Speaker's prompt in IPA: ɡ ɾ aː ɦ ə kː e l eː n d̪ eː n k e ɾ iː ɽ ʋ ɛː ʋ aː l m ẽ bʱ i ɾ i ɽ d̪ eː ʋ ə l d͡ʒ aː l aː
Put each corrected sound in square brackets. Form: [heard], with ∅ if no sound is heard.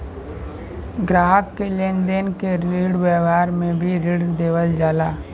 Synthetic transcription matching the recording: ɡ ɾ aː ɦ ə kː e l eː n d̪ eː n k e ɾ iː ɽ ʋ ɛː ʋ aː [ɾ] m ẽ bʱ i ɾ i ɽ d̪ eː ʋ ə l d͡ʒ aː l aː